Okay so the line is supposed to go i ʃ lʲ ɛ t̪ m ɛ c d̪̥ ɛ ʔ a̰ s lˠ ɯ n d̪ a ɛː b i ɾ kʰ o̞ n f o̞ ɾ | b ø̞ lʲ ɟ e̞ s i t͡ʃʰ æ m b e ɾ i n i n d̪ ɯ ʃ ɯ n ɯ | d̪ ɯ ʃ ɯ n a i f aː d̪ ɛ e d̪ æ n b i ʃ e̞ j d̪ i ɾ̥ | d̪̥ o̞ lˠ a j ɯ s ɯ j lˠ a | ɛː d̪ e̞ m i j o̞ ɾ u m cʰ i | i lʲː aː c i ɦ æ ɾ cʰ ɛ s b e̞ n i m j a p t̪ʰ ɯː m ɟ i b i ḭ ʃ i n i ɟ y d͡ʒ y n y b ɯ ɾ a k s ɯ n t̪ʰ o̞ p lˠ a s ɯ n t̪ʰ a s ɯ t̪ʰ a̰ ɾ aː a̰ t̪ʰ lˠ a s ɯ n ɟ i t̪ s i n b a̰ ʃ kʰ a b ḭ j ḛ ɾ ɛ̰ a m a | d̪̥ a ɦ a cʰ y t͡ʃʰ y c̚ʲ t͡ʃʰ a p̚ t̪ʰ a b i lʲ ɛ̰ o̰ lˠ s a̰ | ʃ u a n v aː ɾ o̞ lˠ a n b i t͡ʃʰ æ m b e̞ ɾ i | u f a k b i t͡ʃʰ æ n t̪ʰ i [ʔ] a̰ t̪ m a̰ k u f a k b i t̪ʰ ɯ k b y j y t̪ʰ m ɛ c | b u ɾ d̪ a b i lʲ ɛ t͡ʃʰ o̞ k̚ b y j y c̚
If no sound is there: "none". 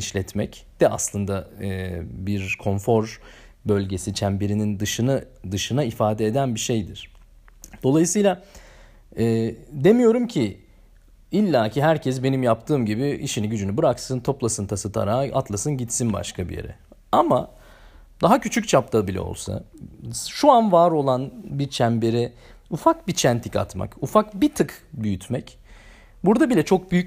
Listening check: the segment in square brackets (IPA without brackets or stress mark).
c